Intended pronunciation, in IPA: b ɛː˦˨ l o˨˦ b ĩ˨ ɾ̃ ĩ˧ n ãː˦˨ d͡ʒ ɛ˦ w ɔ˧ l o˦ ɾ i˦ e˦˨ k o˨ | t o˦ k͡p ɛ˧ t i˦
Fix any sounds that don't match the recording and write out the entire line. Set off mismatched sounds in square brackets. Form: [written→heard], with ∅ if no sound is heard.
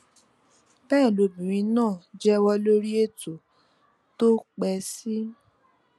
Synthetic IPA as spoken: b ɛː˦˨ l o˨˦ b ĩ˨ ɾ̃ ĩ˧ n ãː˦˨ d͡ʒ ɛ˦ w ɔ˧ l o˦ ɾ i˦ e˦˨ [k→t] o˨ | t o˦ k͡p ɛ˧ [t→s] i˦